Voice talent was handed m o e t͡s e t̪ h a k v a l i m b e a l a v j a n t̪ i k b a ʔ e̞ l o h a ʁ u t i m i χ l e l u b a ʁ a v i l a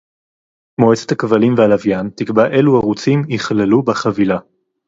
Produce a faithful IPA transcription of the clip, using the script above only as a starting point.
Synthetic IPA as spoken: m o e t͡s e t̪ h a k v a l i m v e a l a v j a n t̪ i k b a ʔ e̞ l u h a ʁ u t͡s i m i χ l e l u b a χ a v i l a